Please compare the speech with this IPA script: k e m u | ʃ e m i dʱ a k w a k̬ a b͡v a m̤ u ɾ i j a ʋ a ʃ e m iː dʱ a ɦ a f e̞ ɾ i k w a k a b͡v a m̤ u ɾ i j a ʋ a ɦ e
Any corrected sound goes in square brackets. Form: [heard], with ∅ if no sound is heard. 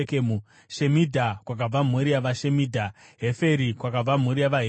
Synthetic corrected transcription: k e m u | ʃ e m i dʱ a k w a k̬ a b͡v a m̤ u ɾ i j a ʋ a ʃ e m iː dʱ a ɦ [e] f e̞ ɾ i k w a k a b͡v a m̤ u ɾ i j a ʋ a ɦ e